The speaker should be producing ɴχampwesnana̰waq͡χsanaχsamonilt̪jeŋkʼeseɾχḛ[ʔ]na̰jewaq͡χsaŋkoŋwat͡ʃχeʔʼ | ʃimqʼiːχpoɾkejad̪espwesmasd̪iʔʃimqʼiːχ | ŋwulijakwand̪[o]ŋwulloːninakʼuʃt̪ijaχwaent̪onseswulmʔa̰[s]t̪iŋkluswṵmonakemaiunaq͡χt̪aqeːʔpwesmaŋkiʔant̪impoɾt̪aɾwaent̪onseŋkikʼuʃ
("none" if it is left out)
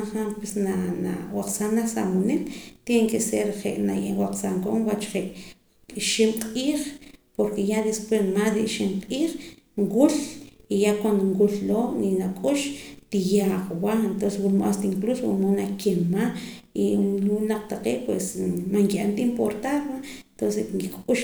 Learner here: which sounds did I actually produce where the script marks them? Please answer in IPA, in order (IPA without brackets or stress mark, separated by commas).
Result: ʔ, o, s